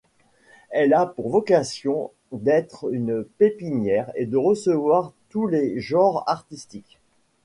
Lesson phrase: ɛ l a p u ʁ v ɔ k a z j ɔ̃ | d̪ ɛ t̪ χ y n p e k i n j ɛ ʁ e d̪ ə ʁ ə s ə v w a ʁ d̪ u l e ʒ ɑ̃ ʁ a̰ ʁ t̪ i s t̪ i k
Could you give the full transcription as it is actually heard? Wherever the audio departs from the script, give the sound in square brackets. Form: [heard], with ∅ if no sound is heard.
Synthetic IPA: ɛ l a p u ʁ v ɔ k a [s] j ɔ̃ | d̪ ɛ t̪ χ y n p e [p] i n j ɛ ʁ e d̪ ə ʁ ə s ə v w a ʁ [t̪] u l e ʒ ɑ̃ ʁ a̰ ʁ t̪ i s t̪ i k